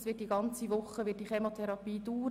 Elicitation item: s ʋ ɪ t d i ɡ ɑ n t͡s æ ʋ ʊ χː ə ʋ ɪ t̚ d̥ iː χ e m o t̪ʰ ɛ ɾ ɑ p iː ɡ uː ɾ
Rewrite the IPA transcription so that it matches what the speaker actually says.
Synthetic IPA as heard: s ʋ ɪ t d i ɡ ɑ n t͡s i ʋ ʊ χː ə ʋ ɪ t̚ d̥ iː χ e m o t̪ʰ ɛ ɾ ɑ p iː d uː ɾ